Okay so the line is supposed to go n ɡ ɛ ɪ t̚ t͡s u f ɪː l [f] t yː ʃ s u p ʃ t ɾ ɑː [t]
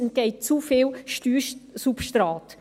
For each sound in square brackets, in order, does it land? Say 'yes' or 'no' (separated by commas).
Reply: no, yes